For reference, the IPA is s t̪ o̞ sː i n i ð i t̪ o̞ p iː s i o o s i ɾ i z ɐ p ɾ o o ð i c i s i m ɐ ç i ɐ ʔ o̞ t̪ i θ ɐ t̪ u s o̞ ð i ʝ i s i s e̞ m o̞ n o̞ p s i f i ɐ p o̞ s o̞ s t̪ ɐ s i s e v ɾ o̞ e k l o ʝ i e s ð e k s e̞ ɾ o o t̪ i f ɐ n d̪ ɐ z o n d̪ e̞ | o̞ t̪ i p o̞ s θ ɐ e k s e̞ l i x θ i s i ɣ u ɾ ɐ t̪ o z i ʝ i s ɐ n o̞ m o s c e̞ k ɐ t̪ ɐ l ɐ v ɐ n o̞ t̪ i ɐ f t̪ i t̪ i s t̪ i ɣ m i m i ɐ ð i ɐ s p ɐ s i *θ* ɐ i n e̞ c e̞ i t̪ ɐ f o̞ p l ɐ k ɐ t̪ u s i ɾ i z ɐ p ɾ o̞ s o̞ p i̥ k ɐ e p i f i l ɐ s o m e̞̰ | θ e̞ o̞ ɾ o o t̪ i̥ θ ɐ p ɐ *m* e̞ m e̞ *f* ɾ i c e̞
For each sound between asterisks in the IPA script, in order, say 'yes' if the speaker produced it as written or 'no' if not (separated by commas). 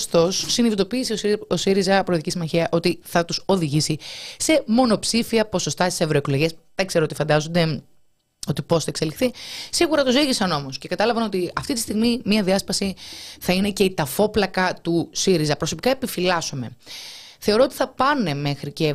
yes, no, no